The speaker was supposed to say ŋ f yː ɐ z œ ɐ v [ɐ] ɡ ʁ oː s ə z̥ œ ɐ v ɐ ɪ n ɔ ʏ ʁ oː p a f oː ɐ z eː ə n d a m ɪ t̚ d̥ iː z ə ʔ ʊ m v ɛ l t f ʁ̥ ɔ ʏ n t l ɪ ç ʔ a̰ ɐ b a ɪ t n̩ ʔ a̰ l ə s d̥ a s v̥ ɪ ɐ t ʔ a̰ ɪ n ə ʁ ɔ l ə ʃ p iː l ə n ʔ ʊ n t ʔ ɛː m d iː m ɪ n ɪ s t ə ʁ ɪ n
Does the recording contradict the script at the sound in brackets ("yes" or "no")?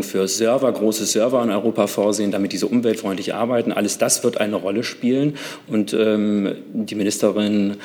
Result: no